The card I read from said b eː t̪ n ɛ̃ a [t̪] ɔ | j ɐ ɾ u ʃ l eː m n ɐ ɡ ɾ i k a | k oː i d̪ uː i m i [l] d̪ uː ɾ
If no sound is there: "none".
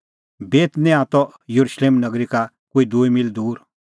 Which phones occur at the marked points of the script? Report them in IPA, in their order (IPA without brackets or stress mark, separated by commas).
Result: t̪, l